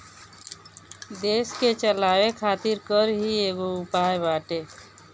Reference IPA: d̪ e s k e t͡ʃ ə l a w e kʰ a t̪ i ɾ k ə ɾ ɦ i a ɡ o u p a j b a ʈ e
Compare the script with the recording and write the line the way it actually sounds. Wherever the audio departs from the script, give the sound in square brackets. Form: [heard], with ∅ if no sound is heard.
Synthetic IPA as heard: d̪ e s k e t͡ʃ ə l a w e kʰ a t̪ i ɾ k ə ɾ ɦ i [e] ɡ o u p a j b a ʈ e